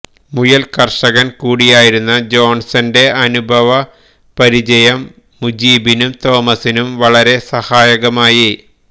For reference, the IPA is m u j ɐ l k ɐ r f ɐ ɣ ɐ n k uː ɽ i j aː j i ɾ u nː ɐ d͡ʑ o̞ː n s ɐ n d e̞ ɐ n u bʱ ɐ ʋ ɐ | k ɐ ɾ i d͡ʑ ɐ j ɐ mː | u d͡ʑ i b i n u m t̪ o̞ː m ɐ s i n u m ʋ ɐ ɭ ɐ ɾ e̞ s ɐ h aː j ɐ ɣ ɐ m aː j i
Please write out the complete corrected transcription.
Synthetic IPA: m u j ɐ l k ɐ r ʂ ɐ ɣ ɐ n k uː ɽ i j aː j i ɾ u nː ɐ d͡ʑ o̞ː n s ɐ n d e̞ ɐ n u bʱ ɐ ʋ ɐ | p ɐ ɾ i d͡ʑ ɐ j ɐ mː | u d͡ʑ iː b i n u m t̪ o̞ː m ɐ s i n u m ʋ ɐ ɭ ɐ ɾ e̞ s ɐ h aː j ɐ ɣ ɐ m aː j i